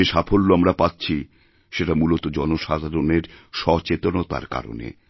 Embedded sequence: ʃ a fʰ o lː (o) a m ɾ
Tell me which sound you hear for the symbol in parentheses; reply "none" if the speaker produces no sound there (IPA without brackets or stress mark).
o